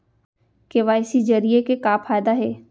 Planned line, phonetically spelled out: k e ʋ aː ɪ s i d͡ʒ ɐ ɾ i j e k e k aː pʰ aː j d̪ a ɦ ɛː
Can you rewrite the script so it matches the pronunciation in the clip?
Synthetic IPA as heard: k e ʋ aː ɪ s i d͡ʒ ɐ ɾ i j e k e k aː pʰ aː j d̪ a ɦ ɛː